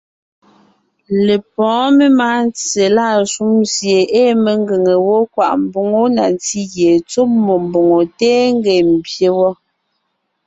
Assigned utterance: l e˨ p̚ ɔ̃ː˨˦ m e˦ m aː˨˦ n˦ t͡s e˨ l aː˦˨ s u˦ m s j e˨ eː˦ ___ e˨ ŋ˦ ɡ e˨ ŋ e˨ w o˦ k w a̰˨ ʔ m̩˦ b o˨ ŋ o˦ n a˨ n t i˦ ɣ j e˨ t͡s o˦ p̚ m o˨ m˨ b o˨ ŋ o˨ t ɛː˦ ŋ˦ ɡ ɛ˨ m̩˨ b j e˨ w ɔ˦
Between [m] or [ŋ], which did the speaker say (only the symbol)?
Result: m